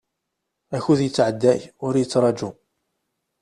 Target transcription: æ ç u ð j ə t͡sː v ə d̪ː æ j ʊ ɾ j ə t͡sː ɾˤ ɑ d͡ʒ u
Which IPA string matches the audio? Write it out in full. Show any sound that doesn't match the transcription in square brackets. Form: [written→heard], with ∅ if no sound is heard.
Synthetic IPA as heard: æ ç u ð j ə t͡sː [v→ʕ] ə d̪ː æ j ʊ ɾ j ə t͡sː ɾˤ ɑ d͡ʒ u